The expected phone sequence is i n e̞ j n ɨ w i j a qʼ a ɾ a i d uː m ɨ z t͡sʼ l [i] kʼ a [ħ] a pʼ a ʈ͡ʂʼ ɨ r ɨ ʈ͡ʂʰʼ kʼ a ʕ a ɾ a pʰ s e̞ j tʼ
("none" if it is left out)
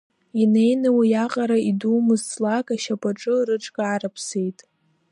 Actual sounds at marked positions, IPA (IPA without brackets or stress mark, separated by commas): a, ʃ